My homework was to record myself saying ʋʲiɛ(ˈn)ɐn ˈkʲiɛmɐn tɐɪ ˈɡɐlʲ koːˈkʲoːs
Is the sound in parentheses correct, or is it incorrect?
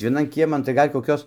correct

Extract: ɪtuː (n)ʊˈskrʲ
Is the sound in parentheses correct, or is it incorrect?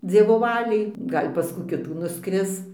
correct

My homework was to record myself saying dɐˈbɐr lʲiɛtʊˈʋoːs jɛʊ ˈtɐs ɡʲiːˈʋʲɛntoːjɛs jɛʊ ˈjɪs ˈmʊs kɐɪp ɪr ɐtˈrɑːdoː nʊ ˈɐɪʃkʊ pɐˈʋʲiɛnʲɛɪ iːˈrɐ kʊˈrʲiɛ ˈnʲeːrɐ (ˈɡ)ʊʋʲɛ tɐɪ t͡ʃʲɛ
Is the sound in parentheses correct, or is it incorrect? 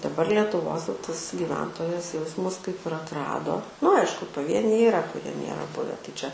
incorrect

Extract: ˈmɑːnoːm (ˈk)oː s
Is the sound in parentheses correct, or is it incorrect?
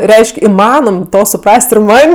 incorrect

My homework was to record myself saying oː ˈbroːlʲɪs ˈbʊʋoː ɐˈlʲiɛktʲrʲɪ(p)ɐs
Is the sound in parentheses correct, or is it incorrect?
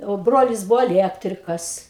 incorrect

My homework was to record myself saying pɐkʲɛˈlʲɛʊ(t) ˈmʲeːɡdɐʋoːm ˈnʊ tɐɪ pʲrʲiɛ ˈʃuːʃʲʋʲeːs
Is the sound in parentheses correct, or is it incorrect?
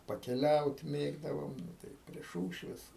correct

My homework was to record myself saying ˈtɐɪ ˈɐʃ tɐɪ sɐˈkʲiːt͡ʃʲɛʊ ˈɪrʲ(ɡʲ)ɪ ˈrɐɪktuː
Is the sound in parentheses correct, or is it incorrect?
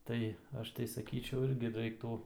correct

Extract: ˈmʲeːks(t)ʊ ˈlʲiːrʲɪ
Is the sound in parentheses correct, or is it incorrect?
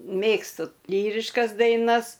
correct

